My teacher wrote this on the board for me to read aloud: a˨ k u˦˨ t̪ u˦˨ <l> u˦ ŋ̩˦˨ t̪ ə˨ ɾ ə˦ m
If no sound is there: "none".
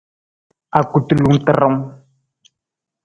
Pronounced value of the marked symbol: l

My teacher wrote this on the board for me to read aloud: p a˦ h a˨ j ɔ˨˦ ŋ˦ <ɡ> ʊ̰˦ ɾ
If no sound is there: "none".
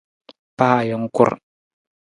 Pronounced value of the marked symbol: k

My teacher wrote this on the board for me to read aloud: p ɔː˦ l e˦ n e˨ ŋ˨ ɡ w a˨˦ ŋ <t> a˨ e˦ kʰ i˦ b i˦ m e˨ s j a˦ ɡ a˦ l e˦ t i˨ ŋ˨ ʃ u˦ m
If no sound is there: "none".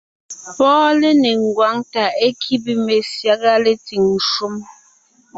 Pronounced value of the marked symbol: t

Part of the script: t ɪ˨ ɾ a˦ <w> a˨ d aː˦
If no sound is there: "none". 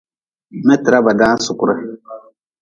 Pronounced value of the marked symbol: b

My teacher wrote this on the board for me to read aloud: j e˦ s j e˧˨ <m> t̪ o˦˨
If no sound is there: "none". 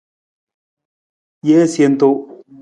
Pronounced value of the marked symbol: n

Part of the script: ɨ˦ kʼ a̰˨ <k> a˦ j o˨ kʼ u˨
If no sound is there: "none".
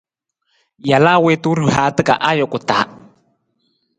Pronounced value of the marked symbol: ʔ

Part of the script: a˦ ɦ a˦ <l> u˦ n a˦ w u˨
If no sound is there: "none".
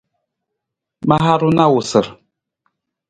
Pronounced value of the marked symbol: ɾ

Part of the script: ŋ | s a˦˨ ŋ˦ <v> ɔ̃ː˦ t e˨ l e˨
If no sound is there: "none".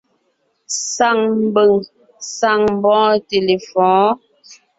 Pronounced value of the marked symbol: b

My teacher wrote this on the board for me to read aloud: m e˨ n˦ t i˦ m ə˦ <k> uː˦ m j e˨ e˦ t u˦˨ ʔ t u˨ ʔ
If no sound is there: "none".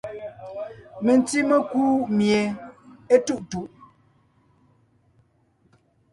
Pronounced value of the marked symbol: k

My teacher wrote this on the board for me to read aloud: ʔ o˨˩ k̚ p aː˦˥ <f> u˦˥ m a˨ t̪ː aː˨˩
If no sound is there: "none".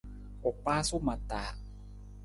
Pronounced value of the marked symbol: s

